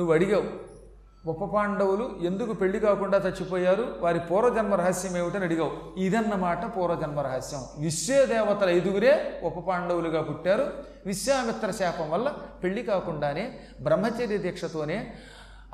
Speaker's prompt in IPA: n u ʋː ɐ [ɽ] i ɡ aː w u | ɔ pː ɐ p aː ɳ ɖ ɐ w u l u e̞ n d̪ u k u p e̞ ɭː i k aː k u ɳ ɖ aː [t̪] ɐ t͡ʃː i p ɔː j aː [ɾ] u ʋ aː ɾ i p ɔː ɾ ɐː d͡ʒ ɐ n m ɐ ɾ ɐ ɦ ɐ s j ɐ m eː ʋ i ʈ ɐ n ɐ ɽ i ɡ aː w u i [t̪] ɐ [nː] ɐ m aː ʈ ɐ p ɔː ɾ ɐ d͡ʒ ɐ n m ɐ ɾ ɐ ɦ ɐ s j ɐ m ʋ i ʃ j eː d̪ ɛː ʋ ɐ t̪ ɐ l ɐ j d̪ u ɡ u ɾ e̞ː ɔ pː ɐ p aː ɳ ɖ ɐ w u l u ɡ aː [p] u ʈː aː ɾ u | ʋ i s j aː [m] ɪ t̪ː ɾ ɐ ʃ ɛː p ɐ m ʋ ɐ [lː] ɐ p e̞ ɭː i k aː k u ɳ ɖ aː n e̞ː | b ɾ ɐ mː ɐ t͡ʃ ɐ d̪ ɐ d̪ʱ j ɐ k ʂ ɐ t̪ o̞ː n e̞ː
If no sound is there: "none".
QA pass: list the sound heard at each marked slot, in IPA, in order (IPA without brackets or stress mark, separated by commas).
ɽ, t̪, ɾ, d̪, nː, p, m, lː